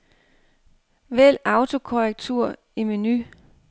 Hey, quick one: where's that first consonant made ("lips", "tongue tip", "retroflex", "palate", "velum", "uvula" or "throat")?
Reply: lips